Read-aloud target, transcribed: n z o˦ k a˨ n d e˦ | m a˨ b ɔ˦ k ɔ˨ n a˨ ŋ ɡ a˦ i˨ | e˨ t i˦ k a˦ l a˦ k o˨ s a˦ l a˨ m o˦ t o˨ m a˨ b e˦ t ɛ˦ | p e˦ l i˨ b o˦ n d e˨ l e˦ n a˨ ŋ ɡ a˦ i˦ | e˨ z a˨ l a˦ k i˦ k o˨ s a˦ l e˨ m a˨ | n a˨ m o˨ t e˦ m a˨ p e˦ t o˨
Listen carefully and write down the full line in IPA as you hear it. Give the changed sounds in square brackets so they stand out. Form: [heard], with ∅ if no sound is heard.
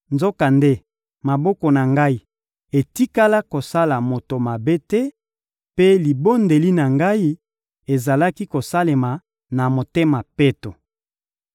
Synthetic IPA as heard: n z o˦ k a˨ n d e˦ | m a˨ b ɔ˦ k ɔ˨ n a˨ ŋ ɡ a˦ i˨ | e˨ t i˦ k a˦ l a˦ k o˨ s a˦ l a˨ m [o˨] t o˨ m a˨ b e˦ t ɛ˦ | p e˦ l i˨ b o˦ n d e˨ l [i˦] n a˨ ŋ ɡ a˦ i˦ | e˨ z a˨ l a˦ k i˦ k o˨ s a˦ l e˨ m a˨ | n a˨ m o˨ t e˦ m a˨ p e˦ t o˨